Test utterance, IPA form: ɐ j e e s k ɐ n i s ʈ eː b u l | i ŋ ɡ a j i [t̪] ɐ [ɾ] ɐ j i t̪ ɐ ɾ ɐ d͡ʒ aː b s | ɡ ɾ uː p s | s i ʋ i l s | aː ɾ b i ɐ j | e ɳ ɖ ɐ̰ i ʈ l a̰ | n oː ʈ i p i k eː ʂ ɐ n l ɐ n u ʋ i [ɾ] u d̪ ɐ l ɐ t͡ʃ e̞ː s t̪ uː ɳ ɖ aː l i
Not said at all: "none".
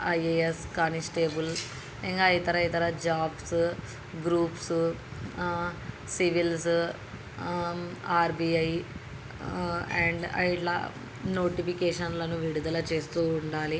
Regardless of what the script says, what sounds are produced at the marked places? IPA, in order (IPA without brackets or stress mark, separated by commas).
t̪, ɾ, ɽ